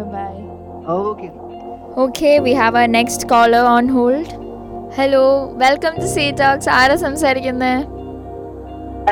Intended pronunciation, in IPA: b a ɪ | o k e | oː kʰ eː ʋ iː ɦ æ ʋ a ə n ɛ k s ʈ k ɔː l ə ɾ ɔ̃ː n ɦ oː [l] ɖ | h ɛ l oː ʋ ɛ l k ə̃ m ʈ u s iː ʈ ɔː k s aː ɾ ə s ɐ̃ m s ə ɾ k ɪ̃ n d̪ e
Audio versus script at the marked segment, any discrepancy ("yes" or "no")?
no